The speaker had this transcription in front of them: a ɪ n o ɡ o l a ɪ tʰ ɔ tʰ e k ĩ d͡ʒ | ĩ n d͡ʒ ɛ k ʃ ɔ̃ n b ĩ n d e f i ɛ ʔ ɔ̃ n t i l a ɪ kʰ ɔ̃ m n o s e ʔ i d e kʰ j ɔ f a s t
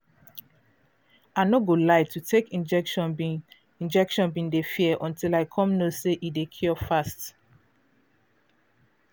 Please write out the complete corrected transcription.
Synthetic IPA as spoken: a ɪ n o ɡ o l a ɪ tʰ u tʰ e k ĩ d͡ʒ | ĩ n d͡ʒ ɛ k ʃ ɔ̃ n b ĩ n d e f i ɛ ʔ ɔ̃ n t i l a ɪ kʰ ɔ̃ m n o s e ʔ i d e kʰ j ɔ f a s t